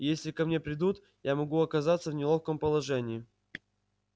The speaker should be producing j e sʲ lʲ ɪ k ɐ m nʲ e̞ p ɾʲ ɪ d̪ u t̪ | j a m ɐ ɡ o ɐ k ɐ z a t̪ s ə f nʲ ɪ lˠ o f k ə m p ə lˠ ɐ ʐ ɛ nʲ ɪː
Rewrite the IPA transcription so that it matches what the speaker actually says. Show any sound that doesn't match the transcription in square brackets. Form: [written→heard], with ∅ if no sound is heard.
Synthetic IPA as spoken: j e sʲ lʲ ɪ k ɐ m nʲ e̞ p ɾʲ ɪ d̪ u t̪ | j a m ɐ ɡ [o→u] ɐ k ɐ z a t̪ s ə [f→v] nʲ ɪ lˠ o f k ə m p ə lˠ ɐ ʐ ɛ nʲ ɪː